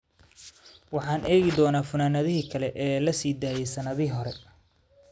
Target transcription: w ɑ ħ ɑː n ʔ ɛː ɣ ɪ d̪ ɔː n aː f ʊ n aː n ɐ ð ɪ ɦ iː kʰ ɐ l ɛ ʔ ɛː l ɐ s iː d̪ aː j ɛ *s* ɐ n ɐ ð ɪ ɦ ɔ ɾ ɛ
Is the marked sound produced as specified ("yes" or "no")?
yes